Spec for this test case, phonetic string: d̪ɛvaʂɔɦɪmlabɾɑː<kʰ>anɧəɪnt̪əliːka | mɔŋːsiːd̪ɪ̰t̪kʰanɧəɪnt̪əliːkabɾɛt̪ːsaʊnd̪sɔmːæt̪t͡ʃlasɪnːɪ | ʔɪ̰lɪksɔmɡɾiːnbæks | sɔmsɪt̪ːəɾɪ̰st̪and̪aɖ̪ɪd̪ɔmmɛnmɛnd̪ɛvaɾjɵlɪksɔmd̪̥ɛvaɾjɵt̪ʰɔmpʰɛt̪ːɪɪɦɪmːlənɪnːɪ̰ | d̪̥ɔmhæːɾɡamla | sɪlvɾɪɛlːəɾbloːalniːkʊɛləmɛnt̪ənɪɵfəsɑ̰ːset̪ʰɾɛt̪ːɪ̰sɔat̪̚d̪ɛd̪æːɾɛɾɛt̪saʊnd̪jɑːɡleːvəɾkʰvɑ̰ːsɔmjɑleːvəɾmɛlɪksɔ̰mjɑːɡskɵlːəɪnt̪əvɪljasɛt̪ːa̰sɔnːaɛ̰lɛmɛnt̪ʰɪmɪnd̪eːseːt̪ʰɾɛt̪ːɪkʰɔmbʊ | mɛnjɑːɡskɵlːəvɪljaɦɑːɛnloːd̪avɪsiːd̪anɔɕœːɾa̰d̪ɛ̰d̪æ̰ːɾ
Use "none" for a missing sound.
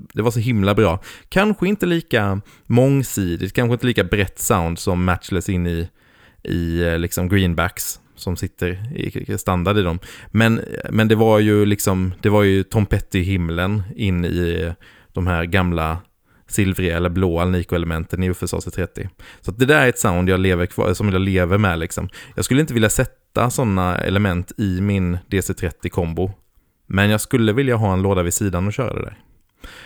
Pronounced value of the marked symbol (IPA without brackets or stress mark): kʰ